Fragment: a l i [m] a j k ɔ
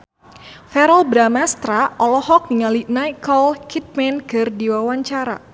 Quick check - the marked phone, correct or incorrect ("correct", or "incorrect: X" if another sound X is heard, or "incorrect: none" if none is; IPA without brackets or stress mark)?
incorrect: n